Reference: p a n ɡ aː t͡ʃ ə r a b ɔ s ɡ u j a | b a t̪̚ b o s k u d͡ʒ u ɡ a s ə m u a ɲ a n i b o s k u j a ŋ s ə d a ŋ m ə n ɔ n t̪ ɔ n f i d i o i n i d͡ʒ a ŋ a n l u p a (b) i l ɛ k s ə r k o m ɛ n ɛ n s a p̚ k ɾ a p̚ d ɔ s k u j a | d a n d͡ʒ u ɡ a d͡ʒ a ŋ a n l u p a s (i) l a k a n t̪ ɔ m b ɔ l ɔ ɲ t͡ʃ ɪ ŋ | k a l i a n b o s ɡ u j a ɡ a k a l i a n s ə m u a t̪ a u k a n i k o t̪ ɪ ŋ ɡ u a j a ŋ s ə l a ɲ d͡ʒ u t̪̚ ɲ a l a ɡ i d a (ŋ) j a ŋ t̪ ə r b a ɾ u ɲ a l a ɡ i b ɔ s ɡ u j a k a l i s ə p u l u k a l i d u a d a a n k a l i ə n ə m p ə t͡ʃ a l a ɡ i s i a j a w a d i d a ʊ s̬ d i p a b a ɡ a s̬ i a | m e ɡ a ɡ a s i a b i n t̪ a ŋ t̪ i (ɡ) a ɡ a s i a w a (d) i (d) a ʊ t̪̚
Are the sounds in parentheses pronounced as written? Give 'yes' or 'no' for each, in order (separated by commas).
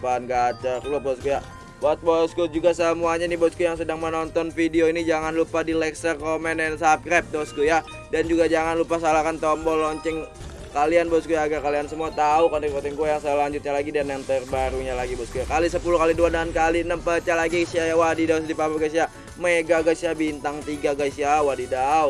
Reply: no, no, no, yes, yes, yes